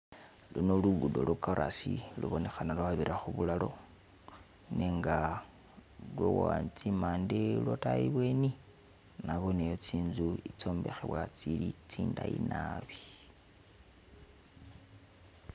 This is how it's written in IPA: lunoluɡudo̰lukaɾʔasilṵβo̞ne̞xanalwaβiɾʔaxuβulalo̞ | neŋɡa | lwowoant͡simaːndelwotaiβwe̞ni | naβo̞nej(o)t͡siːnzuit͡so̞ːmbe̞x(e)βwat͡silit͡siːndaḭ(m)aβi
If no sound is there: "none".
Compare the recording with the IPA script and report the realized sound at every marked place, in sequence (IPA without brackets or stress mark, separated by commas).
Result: o, e, n